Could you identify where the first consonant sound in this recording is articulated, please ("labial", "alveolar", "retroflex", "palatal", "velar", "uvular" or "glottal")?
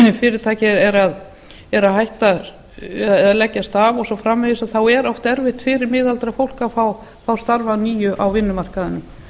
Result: labial